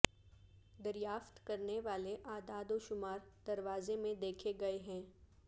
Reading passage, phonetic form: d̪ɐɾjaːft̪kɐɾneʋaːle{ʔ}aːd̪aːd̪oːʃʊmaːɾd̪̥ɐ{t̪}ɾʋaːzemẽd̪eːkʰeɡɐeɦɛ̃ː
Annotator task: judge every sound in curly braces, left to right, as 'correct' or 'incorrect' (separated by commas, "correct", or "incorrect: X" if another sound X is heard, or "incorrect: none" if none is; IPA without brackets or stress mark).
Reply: correct, incorrect: none